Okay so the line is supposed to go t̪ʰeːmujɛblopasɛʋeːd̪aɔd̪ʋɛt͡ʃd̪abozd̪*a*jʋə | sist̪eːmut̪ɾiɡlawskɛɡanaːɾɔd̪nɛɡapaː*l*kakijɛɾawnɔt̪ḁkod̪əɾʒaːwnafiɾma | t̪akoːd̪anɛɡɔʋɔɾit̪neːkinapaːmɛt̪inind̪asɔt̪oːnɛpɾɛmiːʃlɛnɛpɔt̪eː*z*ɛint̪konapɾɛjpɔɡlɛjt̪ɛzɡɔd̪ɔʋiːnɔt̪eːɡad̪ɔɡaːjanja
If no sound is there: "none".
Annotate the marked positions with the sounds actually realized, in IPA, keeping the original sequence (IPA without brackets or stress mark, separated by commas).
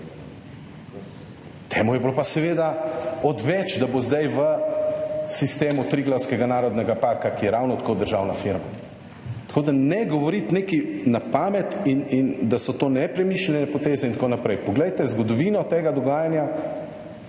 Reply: a, ɾ, z